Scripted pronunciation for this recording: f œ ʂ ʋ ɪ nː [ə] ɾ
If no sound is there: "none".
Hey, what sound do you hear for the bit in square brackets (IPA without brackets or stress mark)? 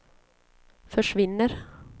ə